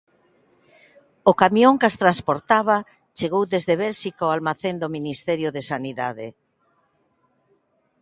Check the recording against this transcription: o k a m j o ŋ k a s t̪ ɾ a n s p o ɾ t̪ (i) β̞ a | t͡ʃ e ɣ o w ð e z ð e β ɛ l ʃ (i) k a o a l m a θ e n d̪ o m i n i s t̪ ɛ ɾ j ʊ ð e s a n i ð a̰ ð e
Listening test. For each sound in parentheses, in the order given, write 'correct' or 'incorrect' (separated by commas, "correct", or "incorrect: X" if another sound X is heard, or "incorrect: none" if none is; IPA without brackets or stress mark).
incorrect: a, correct